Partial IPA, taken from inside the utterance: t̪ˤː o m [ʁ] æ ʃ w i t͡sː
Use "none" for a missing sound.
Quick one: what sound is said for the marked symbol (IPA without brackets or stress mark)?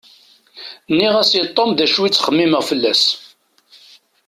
ð